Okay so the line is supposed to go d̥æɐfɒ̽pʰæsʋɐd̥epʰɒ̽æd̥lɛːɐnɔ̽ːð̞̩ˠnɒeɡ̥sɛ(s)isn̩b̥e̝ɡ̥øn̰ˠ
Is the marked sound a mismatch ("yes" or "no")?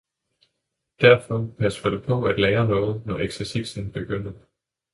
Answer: no